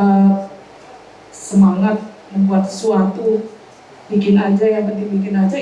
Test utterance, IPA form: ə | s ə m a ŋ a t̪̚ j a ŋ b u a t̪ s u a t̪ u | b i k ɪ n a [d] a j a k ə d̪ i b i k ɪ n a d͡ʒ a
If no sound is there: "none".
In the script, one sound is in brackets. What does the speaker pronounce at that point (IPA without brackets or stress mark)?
d͡ʒ